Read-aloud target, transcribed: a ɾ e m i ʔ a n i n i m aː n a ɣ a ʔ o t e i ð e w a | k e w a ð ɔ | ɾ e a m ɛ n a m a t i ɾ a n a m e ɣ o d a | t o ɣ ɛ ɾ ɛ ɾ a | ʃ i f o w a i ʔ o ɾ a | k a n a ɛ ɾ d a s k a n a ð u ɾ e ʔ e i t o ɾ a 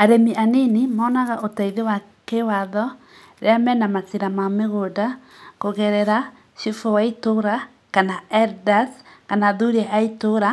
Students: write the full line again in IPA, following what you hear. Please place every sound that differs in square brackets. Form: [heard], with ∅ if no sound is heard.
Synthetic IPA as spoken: a ɾ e m i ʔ a n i n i m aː n a ɣ a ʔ o t [a] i ð e w a | k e w a ð ɔ | ɾ e a m ɛ n a m a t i ɾ a [m] a m e ɣ o d a | [k] o ɣ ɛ ɾ ɛ ɾ a | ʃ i f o w a i [t] o ɾ a | k a n a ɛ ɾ d a s k a n a ð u ɾ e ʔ [a] i t o ɾ a